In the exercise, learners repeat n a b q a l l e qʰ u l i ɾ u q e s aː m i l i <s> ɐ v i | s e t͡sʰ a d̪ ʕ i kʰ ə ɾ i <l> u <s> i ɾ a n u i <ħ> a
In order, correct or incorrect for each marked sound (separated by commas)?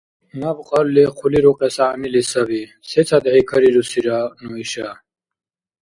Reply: correct, incorrect, correct, incorrect